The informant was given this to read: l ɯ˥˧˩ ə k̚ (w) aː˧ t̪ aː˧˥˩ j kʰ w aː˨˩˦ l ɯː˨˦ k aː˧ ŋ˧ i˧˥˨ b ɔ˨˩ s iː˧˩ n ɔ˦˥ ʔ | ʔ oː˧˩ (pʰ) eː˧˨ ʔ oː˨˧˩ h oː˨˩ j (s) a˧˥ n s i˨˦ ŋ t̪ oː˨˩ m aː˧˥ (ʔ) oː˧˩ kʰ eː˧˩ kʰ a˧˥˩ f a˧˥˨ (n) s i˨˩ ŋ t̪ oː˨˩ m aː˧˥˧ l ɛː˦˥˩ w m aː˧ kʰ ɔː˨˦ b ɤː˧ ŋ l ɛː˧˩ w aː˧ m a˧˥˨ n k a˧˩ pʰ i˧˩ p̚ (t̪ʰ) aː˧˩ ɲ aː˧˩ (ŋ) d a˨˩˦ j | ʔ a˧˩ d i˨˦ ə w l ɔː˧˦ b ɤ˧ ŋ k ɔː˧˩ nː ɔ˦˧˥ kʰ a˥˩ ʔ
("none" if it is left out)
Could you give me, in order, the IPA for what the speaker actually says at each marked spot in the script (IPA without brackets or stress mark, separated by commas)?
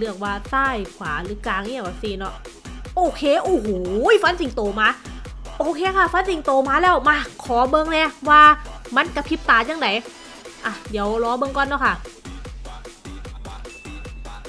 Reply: w, kʰ, f, ʔ, n, t̪, ŋ